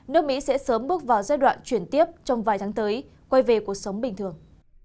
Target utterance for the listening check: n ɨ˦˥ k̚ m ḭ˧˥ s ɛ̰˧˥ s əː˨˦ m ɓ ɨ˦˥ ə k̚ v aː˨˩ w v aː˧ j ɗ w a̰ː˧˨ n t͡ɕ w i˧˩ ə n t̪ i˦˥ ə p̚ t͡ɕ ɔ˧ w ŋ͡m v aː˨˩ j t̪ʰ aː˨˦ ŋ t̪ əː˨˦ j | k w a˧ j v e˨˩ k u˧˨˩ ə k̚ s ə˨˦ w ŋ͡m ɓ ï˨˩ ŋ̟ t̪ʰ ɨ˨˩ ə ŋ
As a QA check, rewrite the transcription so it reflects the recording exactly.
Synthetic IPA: n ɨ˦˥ k̚ m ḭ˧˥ s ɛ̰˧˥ s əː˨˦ m ɓ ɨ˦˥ ə k̚ v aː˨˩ w z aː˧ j ɗ w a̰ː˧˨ n t͡ɕ w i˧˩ ə n t̪ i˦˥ ə p̚ t͡ɕ ɔ˧ w ŋ͡m v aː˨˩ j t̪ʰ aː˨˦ ŋ t̪ əː˨˦ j | k w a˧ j v e˨˩ k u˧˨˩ ə k̚ s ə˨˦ w ŋ͡m ɓ ï˨˩ ŋ̟ t̪ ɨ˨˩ ə ŋ